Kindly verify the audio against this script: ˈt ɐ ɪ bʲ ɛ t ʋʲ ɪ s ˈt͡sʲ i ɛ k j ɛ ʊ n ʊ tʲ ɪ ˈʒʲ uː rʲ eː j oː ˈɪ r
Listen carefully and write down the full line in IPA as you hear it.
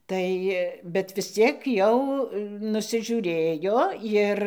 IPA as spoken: ˈt ɐ ɪ bʲ ɛ t ʋʲ ɪ s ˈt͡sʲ i ɛ k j ɛ ʊ n ʊ sʲ ɪ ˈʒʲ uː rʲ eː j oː ˈɪ r